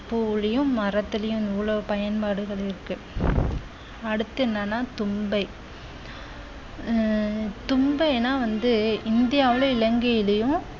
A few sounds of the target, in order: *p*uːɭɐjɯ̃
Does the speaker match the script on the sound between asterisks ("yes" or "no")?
yes